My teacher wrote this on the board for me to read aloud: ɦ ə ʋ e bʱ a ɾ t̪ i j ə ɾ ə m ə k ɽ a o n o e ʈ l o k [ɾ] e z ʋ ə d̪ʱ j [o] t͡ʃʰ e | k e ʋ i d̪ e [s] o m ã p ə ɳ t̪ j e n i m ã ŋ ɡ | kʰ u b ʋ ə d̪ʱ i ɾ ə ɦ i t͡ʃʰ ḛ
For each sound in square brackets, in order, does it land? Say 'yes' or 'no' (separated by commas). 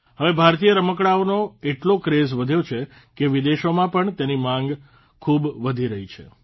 yes, yes, no